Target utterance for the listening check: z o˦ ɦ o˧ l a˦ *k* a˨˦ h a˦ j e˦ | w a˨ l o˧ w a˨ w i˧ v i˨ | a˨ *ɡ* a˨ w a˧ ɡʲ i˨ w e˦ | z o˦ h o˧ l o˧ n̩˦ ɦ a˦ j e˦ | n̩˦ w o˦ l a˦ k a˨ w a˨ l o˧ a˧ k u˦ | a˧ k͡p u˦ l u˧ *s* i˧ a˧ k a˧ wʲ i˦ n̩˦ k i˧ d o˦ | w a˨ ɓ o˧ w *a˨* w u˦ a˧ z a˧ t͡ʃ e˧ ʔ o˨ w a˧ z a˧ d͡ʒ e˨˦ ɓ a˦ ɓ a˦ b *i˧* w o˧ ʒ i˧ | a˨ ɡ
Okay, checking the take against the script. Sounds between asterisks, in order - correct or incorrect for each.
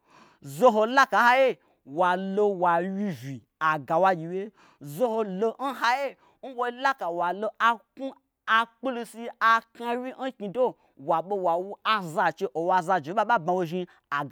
correct, correct, correct, correct, incorrect

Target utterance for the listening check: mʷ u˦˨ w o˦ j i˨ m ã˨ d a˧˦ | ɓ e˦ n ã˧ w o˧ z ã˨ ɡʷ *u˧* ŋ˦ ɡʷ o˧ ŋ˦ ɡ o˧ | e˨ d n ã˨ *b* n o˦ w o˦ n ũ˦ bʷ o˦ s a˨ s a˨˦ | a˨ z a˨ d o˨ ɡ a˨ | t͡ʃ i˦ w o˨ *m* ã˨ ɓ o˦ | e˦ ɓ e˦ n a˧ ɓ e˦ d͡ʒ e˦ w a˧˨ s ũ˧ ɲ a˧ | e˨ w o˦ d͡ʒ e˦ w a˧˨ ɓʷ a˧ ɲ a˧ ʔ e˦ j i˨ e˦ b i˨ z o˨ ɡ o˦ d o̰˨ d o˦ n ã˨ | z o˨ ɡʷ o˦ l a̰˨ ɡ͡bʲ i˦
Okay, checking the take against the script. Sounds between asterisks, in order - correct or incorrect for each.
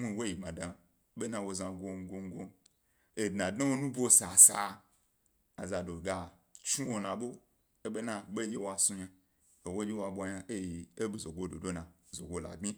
incorrect, incorrect, incorrect

